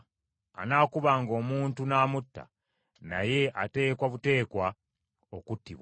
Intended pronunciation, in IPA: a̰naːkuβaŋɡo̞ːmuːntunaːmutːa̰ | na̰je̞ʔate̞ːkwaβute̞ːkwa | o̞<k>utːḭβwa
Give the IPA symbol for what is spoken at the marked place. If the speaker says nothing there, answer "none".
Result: k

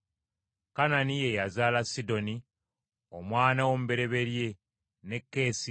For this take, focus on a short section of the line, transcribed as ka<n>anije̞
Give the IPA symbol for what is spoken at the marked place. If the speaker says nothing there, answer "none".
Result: n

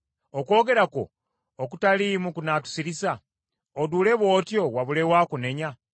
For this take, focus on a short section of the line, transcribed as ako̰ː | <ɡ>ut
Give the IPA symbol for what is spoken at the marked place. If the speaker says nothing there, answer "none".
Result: k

